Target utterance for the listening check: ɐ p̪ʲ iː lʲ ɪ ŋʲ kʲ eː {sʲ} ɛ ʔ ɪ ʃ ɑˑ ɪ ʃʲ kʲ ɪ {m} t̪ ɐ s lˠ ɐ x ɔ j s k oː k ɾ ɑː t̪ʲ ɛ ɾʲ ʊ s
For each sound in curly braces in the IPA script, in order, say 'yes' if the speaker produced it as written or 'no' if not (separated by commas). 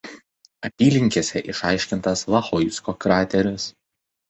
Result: yes, no